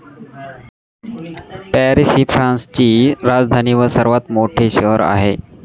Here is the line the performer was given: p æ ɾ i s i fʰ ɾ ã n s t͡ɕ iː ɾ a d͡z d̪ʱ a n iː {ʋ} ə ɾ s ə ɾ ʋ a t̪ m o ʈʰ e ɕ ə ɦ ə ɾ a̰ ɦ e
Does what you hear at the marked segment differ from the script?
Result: no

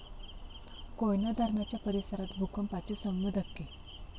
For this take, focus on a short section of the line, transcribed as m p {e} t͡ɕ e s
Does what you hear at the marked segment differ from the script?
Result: yes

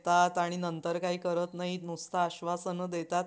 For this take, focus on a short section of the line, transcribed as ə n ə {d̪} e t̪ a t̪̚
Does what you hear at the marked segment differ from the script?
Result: no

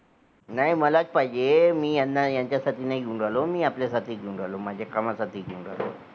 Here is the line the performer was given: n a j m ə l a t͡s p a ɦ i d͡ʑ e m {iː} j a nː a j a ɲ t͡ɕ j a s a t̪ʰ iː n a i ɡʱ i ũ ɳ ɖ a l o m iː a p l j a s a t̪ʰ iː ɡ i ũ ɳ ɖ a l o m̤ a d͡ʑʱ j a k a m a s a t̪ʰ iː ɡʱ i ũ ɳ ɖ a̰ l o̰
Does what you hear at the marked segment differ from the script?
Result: no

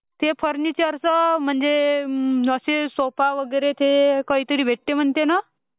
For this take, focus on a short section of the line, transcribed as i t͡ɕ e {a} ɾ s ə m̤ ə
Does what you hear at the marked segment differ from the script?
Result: yes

